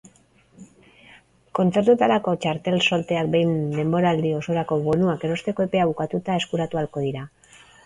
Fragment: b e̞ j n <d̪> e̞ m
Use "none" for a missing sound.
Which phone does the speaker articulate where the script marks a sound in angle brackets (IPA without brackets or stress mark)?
d̪